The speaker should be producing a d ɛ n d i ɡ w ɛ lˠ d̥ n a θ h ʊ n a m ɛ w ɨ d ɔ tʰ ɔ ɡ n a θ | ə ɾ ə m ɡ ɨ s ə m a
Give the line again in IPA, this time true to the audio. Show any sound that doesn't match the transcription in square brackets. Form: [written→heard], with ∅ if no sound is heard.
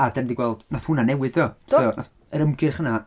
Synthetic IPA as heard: a d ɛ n d i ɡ w ɛ lˠ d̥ n a θ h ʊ n a [m→n] ɛ w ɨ d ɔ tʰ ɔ [ɡ→∅] n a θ | ə ɾ ə m ɡ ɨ [s→χ] ə [m→n] a

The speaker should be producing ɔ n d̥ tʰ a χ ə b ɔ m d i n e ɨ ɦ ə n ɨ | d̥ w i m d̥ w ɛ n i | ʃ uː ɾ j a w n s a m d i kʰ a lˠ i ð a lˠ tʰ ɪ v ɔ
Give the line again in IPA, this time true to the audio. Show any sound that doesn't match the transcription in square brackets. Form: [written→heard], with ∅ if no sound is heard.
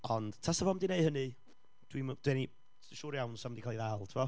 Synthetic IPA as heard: ɔ n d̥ tʰ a [χ→s] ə [b→v] ɔ m d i n e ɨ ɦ ə n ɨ | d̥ w i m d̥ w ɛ n i | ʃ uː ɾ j a w n s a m d i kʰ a lˠ i ð a lˠ tʰ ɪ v ɔ

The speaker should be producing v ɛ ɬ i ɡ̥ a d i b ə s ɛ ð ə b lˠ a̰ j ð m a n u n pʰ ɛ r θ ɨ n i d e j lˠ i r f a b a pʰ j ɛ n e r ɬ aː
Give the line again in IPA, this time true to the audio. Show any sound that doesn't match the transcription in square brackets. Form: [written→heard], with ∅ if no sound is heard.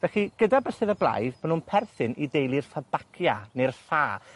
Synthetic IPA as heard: v ɛ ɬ i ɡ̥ [a→ə] d [i→a] b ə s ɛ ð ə b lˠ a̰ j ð m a n u n pʰ ɛ r θ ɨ n i d e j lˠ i r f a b a [pʰ→kʰ] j [ɛ→a] n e r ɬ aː

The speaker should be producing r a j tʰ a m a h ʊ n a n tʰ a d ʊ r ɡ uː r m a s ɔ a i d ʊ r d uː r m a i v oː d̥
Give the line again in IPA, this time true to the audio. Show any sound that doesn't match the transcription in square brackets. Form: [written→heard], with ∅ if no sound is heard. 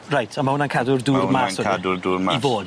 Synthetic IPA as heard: r a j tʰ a m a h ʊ n a n [tʰ→kʰ] a d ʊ r [ɡ→d] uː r m a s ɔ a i d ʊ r d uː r m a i v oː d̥

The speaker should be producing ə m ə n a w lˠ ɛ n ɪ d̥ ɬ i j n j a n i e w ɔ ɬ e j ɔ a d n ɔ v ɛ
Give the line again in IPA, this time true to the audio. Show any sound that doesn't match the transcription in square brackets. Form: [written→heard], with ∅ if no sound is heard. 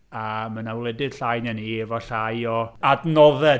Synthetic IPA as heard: [ə→a] m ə n a w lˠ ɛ [n→d] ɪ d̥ ɬ [i→a] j n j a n i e [w→v] ɔ ɬ [e→a] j ɔ a d n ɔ [v→ð] ɛ

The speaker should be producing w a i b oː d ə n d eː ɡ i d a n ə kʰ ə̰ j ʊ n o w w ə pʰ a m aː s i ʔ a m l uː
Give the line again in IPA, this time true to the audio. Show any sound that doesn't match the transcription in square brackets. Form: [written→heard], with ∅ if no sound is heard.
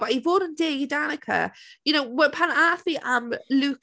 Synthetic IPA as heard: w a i [b→v] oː d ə n d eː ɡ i d a n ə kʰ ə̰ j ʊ n o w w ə pʰ a [m→n] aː [s→θ] i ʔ a m l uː

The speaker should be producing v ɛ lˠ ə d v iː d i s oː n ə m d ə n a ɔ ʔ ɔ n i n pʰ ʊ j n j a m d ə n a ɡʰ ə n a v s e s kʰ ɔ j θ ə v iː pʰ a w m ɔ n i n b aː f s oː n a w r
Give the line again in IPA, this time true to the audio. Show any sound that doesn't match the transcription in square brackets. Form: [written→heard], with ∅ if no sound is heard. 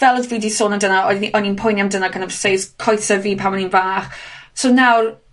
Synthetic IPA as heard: v ɛ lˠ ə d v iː d i s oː n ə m d ə n a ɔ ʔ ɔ n i n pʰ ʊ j n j a m d ə n a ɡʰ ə n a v s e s kʰ ɔ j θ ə v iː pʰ a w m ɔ n i n [b→v] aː [f→χ] s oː n a w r

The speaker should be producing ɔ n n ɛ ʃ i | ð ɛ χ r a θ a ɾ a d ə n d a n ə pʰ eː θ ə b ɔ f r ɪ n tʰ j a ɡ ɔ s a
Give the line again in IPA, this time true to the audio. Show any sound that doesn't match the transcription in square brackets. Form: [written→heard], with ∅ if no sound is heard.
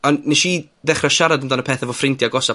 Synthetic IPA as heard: ɔ n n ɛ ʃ i | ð ɛ χ r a [θ→ʃ] a ɾ a d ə n d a n ə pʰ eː θ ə [b→v] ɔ f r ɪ n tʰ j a ɡ ɔ s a

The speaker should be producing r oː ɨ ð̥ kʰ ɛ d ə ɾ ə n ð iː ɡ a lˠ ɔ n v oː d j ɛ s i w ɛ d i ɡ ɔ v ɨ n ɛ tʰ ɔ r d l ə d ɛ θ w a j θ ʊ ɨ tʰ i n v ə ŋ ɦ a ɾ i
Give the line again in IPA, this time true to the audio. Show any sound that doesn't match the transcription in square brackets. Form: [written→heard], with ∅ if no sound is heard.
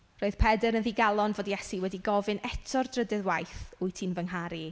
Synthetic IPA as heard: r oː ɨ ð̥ [kʰ→pʰ] ɛ d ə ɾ ə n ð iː ɡ a lˠ ɔ n v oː d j ɛ s i w ɛ d i ɡ ɔ v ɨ n ɛ tʰ ɔ r d [l→r] ə d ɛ [θ→ð] w a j θ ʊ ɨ tʰ i n v ə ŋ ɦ a ɾ i

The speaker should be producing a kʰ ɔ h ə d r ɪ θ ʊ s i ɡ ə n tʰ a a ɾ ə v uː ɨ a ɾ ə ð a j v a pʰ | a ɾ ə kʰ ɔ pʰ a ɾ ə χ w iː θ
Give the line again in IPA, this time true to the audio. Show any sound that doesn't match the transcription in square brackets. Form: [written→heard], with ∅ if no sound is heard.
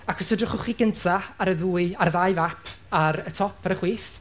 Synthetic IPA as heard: a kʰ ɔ [h→s] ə d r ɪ [θ→χ] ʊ [s→χ] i ɡ ə n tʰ a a ɾ ə [v→ð] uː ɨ a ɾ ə ð a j v a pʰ | a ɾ ə [kʰ→tʰ] ɔ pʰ a ɾ ə χ w iː θ

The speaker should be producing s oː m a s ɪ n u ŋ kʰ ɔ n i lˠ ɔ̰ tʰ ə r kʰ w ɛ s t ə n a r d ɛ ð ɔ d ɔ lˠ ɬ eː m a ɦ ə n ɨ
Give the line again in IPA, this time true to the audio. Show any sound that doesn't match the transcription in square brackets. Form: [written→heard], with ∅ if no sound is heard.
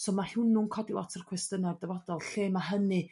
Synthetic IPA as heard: s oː m a [s→h] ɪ n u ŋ kʰ ɔ [n→d] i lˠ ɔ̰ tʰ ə r kʰ w ɛ s t ə n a r d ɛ [ð→v] ɔ d ɔ lˠ ɬ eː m a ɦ ə n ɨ

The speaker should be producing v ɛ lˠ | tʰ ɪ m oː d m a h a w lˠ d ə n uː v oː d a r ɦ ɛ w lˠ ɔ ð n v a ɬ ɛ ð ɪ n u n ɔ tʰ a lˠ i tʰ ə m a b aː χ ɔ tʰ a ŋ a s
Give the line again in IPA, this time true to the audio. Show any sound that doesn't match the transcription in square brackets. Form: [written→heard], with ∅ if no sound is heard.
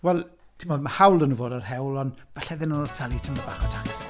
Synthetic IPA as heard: [v→w] ɛ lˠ | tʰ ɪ m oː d m a h a w lˠ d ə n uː v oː d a r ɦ ɛ w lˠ ɔ [ð→∅] n v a ɬ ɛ ð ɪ n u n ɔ tʰ a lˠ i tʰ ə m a b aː χ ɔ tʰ a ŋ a s

